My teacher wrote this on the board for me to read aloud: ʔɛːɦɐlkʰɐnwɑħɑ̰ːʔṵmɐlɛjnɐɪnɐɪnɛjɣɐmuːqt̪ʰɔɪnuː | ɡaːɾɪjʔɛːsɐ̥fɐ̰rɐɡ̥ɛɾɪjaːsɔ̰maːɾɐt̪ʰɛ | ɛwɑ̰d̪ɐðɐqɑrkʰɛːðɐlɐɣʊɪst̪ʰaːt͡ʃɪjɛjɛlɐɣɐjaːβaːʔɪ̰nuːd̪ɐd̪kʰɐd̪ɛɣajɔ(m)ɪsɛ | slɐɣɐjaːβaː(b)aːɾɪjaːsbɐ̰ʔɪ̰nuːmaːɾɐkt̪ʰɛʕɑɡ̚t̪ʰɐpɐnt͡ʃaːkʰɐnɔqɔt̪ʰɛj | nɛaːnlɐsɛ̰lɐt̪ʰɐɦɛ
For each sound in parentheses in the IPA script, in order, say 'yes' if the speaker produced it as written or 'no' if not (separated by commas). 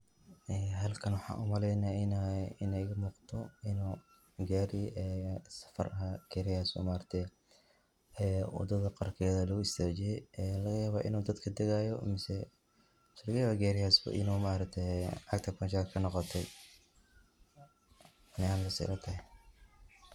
yes, no